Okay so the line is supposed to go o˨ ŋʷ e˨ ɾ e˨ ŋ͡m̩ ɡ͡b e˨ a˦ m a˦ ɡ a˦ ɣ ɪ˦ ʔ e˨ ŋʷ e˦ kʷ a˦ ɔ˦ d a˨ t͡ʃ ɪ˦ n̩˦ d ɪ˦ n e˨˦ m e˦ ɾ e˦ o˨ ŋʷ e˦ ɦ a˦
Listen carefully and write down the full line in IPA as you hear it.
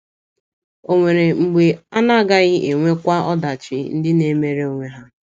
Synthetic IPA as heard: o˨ ŋʷ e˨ ɾ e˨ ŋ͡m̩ ɡ͡b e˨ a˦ n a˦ ɡ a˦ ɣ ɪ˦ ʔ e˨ ŋʷ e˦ kʷ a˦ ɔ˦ d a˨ t͡ʃ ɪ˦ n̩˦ d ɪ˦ n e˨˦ m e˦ ɾ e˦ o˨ ŋʷ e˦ ɦ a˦